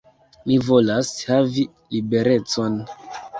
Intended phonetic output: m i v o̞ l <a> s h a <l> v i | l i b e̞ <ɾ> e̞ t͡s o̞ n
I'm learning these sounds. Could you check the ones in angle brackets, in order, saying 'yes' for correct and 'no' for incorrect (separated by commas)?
yes, no, yes